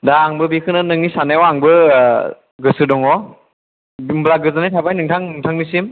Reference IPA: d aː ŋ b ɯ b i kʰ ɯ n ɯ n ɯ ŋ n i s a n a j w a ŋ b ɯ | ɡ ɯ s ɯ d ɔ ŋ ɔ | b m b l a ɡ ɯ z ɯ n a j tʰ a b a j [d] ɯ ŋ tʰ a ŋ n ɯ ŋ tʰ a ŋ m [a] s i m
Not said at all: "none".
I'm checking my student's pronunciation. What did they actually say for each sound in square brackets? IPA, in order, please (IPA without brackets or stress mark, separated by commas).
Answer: n, i